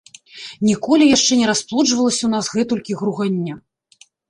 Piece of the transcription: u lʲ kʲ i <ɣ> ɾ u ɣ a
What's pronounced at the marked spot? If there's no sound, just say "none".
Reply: ɣ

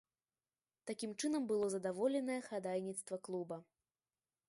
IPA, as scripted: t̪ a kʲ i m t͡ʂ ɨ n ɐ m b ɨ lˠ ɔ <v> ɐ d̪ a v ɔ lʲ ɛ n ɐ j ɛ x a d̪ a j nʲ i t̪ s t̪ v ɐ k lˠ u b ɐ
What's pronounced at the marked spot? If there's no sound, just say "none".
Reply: z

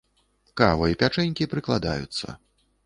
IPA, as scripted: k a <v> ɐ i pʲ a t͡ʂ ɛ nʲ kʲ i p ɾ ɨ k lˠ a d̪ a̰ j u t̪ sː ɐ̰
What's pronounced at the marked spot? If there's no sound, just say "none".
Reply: v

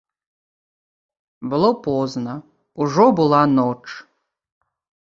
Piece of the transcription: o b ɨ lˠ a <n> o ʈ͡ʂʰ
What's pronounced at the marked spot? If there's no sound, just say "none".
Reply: n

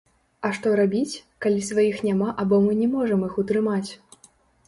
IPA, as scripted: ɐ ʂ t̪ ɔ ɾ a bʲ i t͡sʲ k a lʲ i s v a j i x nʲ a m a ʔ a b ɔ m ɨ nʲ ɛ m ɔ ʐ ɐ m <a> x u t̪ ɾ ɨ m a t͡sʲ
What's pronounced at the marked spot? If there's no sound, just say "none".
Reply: i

